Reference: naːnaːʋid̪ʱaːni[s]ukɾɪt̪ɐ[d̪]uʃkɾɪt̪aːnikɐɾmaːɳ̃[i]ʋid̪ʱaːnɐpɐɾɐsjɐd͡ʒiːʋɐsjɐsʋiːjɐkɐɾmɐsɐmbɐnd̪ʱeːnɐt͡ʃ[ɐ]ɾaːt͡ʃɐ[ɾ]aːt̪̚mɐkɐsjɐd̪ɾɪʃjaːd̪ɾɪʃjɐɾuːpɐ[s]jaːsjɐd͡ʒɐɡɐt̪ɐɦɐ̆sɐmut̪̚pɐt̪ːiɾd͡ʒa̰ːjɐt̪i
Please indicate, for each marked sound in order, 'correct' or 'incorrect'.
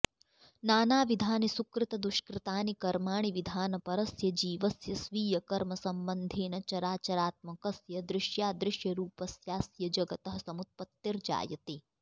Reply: correct, correct, correct, correct, correct, correct

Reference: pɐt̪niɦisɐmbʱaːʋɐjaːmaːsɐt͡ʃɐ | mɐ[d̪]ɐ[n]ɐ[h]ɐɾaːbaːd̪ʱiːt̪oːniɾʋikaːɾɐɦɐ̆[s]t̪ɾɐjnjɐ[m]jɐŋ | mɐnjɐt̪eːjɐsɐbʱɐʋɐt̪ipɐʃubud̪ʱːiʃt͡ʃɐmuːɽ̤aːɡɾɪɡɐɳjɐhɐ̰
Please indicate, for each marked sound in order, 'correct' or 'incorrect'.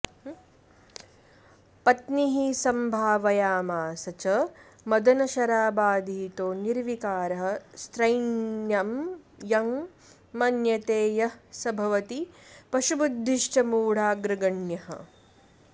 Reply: correct, correct, incorrect, correct, correct

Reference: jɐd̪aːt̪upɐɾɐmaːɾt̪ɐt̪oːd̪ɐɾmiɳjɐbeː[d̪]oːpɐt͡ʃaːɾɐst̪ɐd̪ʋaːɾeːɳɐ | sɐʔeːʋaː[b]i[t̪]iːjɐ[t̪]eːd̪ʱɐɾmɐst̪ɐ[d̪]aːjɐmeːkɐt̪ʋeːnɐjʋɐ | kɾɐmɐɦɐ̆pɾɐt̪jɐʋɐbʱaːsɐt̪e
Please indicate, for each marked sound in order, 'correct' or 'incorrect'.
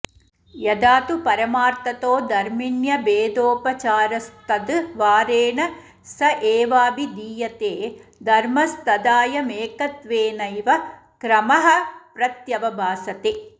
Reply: correct, correct, incorrect, correct, correct

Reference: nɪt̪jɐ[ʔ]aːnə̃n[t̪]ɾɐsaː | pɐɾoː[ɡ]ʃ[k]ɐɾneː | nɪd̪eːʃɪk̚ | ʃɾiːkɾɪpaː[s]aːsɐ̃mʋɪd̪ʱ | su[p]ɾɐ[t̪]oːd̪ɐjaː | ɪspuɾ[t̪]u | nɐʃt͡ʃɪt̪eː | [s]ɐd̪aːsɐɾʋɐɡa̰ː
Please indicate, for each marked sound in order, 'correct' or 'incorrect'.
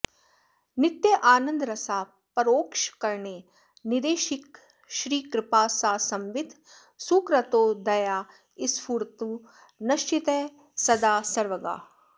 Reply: correct, incorrect, incorrect, correct, correct, incorrect, correct, correct, correct

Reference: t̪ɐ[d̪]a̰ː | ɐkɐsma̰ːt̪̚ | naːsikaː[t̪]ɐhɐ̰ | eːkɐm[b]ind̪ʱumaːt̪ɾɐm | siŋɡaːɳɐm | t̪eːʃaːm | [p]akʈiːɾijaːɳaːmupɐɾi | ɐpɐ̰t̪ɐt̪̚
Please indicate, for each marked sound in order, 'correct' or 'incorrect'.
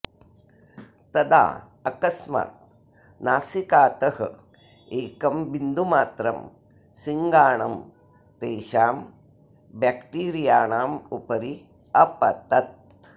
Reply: correct, correct, correct, incorrect

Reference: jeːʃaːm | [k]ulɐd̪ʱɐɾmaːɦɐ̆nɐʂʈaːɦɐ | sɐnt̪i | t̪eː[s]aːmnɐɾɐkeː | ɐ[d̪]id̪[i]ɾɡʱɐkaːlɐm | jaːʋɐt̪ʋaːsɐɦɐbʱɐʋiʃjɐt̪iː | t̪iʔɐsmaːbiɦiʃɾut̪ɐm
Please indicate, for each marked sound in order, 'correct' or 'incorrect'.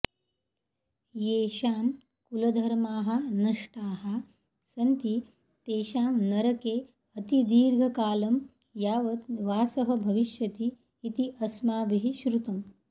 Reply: correct, incorrect, incorrect, incorrect

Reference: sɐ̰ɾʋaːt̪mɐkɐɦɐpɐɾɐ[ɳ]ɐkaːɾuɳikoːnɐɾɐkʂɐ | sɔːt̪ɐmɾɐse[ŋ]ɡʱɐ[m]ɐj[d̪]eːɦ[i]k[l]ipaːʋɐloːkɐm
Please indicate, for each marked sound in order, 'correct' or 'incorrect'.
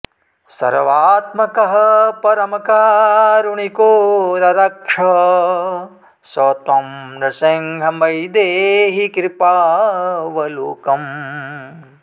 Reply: incorrect, correct, correct, correct, correct, incorrect

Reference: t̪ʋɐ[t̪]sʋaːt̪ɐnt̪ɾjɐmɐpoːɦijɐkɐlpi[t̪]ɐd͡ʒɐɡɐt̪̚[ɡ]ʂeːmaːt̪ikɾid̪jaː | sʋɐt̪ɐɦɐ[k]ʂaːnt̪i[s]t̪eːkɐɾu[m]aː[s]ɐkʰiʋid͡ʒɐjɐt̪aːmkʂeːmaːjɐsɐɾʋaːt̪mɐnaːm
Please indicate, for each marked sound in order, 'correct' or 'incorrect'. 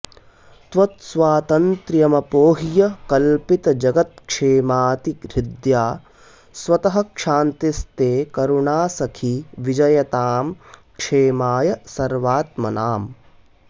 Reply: correct, correct, incorrect, correct, correct, incorrect, correct

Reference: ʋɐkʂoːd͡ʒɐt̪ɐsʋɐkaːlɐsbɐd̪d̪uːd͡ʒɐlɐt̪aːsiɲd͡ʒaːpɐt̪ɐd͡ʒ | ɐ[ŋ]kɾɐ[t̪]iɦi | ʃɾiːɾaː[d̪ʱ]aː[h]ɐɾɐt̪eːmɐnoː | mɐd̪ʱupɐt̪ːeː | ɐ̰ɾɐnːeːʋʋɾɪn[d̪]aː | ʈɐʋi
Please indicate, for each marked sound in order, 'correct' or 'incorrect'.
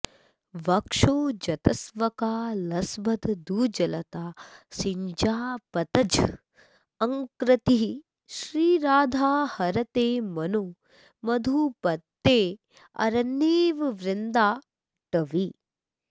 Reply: correct, correct, correct, correct, correct

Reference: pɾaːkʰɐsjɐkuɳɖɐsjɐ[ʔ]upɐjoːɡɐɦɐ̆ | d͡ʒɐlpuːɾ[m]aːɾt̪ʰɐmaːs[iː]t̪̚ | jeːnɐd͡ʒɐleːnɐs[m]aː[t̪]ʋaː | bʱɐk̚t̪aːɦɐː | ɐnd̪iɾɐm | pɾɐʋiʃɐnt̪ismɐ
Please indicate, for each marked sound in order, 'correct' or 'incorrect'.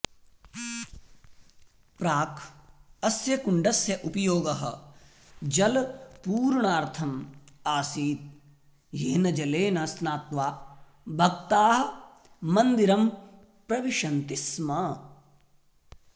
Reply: correct, incorrect, correct, incorrect, correct

